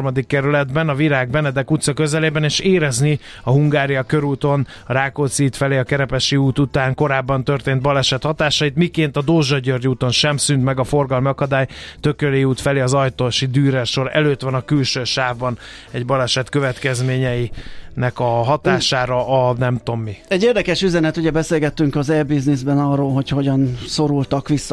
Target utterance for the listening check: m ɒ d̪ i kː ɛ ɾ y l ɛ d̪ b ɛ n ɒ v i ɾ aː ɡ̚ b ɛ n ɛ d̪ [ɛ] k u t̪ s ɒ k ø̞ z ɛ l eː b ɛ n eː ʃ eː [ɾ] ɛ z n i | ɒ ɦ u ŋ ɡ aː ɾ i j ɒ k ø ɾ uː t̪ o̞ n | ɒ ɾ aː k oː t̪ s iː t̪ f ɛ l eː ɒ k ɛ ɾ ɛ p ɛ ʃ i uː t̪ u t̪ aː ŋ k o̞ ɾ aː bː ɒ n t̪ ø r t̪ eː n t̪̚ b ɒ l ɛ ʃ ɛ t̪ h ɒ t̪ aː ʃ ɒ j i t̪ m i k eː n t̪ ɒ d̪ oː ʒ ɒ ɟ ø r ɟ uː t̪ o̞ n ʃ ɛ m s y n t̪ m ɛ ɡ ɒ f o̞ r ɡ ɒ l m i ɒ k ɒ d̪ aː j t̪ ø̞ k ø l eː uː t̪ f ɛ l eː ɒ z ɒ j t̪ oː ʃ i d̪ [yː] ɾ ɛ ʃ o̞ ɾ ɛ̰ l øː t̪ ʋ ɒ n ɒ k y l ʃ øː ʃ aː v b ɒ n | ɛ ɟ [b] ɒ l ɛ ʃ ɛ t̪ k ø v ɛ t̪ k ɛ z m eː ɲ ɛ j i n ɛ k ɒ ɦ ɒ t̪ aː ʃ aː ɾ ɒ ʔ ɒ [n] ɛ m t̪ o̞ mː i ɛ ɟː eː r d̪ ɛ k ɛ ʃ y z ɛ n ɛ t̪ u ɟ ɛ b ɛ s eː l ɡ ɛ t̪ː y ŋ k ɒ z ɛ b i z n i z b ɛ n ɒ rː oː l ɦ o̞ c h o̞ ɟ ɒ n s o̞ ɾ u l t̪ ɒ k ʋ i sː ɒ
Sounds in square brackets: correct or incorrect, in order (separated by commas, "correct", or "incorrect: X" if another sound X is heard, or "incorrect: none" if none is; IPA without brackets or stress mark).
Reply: correct, correct, correct, correct, correct